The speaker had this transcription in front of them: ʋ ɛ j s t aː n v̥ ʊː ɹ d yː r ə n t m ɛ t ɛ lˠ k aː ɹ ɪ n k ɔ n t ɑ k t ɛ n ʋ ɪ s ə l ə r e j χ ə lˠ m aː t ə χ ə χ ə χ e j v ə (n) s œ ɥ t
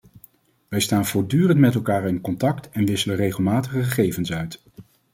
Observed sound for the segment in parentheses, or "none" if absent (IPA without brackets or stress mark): n